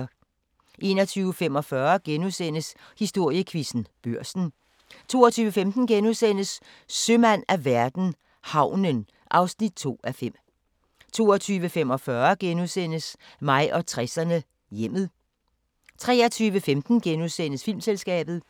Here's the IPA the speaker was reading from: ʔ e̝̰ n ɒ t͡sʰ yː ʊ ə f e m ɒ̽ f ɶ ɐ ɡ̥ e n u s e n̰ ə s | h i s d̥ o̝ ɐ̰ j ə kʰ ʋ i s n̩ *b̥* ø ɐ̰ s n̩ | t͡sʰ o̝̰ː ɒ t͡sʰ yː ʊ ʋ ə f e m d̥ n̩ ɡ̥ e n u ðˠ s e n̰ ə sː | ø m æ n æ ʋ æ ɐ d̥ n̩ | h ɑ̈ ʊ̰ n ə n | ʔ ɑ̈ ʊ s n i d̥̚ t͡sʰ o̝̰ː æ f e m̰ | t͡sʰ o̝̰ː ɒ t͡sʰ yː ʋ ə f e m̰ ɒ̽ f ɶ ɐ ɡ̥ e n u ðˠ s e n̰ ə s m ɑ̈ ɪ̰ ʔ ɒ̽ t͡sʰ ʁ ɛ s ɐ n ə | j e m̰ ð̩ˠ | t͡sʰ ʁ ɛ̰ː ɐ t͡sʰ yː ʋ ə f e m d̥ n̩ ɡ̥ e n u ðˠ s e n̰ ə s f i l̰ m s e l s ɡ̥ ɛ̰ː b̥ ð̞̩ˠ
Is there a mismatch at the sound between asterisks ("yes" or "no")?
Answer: no